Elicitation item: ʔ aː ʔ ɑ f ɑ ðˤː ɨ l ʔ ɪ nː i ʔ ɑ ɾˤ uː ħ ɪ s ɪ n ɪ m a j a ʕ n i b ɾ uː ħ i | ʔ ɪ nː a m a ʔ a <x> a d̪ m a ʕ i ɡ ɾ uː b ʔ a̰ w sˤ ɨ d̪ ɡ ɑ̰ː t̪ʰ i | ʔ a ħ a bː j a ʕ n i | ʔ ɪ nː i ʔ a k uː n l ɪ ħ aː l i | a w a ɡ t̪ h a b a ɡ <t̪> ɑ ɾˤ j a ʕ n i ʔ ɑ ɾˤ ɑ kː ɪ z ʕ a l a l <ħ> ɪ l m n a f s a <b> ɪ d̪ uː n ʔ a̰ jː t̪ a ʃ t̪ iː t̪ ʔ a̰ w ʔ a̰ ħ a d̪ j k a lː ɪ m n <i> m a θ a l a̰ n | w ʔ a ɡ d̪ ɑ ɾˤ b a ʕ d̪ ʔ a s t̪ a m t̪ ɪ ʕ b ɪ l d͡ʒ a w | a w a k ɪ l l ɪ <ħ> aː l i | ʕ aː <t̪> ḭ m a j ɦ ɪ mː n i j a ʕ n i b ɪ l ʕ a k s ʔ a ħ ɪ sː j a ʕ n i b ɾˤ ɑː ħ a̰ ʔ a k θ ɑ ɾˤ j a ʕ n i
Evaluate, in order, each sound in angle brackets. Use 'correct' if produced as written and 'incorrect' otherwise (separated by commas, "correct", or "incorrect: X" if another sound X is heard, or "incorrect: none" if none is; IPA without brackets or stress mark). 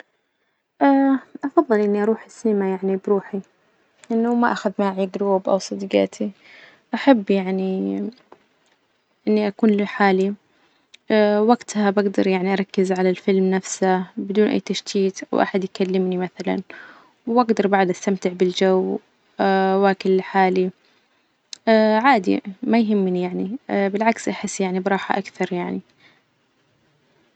correct, incorrect: d̪, incorrect: f, correct, correct, correct, incorrect: d̪